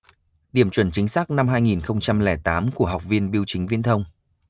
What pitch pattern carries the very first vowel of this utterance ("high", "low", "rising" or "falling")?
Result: falling